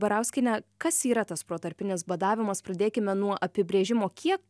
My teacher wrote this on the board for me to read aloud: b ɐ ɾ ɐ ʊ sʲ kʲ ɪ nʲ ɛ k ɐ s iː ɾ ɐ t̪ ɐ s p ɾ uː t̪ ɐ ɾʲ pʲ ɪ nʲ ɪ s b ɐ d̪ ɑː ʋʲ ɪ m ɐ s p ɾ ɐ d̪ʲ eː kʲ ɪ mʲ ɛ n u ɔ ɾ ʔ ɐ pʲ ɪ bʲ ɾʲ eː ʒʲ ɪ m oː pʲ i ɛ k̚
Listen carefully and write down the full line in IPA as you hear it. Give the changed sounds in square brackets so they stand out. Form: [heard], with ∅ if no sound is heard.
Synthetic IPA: b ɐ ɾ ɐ ʊ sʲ kʲ ɪ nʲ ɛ k ɐ s iː ɾ ɐ t̪ ɐ s p ɾ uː t̪ ɐ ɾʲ pʲ ɪ nʲ ɪ s b ɐ d̪ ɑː ʋʲ ɪ m ɐ s p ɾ ɐ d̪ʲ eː kʲ ɪ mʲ ɛ n u ɔ [∅] ʔ ɐ pʲ ɪ bʲ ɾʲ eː ʒʲ ɪ m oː [kʲ] i ɛ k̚